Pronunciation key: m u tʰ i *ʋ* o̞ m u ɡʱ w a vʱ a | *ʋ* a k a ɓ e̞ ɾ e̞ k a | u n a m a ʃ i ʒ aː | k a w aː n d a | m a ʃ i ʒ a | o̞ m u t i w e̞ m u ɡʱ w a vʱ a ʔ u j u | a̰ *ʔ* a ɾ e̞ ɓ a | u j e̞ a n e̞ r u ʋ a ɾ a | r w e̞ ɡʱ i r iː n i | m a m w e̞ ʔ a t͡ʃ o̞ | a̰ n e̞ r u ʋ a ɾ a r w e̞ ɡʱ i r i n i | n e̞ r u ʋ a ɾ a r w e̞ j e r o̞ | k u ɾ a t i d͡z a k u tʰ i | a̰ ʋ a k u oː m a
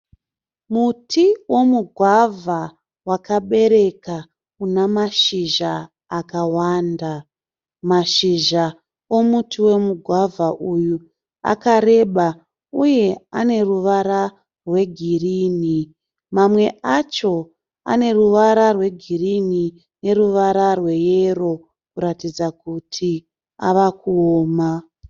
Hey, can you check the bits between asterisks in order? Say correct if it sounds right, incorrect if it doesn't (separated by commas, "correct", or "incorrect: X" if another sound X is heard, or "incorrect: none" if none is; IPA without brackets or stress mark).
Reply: incorrect: w, incorrect: w, incorrect: k